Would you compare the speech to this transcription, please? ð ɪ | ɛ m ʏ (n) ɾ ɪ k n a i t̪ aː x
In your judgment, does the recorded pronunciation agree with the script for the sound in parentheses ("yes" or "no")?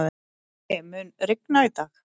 yes